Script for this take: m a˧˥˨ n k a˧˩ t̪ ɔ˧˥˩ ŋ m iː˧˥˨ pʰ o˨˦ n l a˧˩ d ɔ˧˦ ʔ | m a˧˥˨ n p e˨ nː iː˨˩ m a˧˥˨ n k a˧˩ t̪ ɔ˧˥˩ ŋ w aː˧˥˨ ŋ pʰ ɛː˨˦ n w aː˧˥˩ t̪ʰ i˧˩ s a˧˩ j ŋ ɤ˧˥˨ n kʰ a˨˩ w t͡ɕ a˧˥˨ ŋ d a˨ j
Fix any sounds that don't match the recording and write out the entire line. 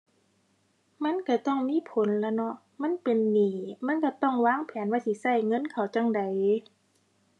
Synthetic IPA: m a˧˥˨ n k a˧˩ t̪ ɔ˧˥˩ ŋ m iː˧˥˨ pʰ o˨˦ n l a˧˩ n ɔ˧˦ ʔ | m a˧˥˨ n p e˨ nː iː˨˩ m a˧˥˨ n k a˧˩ t̪ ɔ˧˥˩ ŋ w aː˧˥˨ ŋ pʰ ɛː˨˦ n w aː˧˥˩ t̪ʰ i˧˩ s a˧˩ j ŋ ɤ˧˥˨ n kʰ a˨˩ w t͡ɕ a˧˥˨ ŋ d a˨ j